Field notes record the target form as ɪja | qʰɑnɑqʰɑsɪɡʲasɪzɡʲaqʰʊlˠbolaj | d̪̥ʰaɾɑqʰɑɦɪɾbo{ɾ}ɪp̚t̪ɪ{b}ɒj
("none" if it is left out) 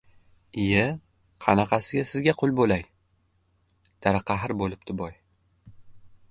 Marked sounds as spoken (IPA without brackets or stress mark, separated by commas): l, b